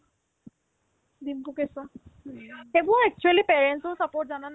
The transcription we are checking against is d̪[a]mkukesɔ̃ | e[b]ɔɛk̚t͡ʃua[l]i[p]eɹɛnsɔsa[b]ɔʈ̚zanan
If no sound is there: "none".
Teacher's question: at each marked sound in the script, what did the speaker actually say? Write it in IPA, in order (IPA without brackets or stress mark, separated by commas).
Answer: i, b, l, p, p